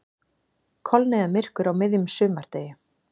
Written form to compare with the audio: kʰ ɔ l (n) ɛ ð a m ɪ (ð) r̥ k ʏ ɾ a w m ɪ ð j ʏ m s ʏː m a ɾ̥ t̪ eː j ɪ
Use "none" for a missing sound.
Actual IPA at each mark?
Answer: n, none

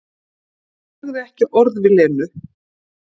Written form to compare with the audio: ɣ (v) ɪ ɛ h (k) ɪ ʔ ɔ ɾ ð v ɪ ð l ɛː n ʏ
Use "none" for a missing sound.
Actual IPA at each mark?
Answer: ð, c

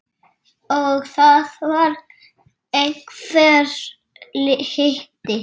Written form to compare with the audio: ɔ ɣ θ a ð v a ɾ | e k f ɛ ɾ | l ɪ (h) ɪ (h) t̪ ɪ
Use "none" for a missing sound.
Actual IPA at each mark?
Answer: h, h

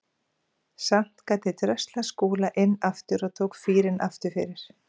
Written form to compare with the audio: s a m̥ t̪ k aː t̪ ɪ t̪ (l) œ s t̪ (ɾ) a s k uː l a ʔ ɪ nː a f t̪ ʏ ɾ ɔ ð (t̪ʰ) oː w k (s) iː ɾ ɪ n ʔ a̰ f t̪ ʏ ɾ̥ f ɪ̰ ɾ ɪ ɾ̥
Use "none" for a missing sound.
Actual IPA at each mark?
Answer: ɾ, l, t̪ʰ, f

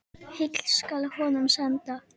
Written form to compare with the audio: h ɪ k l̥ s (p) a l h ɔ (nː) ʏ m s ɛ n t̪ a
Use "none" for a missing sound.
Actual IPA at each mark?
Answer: k, n

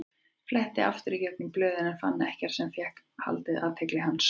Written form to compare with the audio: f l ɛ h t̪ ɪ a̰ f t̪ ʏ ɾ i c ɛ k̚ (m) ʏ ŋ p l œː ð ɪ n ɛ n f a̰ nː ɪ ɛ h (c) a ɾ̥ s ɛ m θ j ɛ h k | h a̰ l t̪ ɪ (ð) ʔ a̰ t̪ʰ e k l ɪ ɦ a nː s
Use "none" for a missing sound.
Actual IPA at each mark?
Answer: n, c, ð

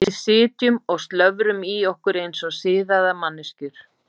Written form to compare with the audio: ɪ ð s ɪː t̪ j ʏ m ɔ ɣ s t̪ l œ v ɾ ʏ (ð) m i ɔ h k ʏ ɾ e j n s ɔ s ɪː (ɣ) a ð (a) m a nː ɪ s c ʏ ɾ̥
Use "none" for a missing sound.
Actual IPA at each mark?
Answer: none, ð, a

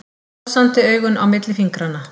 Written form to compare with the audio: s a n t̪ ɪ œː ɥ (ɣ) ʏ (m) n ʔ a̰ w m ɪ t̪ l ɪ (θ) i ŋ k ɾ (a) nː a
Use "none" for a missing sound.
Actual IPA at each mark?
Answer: ɣ, none, f, a

